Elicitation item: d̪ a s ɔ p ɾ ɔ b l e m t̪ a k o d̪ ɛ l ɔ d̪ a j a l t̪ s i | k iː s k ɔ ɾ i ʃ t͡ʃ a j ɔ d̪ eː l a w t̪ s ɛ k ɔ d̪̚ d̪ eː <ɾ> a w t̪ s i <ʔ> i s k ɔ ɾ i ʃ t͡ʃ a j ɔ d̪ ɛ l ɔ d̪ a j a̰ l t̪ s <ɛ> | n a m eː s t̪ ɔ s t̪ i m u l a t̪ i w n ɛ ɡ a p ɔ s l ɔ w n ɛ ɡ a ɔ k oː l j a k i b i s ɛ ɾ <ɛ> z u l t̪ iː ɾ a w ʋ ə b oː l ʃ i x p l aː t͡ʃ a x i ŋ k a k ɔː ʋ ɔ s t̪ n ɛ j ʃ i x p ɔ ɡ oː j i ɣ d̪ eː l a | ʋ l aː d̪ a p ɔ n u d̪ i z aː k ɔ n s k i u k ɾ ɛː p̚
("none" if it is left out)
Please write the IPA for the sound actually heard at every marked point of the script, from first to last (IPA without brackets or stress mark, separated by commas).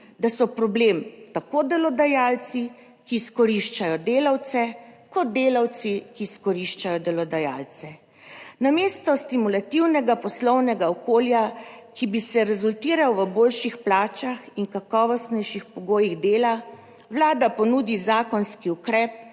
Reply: l, k, ɛ, ɛ